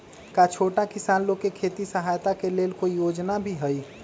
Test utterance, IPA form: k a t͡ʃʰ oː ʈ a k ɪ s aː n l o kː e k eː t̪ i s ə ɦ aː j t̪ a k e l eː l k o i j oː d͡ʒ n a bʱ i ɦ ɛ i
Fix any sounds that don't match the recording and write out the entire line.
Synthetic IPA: k a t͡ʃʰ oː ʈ a k ɪ s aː n l o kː e kʰ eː t̪ i s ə ɦ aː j t̪ a k e l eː l k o i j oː d͡ʒ n a bʱ i ɦ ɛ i